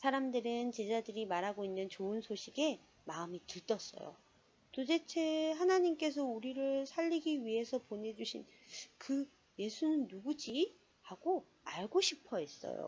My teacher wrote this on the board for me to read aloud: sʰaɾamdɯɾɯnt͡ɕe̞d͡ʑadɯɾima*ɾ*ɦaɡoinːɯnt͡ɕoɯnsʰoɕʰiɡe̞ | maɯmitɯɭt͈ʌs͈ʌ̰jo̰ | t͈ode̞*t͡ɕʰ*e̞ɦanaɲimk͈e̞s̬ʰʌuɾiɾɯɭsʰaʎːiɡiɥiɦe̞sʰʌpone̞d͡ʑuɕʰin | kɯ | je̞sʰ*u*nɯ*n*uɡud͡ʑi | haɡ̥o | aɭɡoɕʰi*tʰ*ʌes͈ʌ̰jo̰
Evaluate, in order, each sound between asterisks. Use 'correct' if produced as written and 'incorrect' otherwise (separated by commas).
correct, correct, correct, incorrect, incorrect